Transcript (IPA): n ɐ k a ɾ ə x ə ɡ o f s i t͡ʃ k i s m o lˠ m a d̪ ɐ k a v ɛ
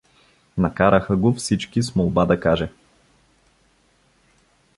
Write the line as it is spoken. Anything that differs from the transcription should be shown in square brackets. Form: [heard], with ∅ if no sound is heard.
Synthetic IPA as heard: n ɐ k a ɾ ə x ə ɡ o f s i t͡ʃ k i s m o lˠ [b] a d̪ ɐ k a [ʒ] ɛ